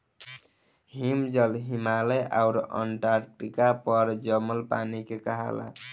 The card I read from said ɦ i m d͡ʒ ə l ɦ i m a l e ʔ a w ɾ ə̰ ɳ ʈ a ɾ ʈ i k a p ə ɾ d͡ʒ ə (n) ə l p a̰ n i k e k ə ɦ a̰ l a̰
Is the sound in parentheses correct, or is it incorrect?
incorrect